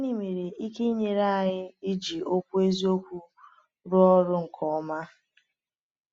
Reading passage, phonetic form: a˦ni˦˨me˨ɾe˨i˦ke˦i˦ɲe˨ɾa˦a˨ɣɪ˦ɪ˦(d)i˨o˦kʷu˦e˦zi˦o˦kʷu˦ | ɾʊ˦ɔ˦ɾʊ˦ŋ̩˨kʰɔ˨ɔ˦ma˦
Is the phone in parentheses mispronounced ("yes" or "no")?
yes